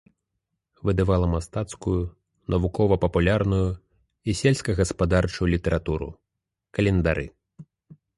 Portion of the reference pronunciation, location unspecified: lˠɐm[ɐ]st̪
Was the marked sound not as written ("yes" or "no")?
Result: yes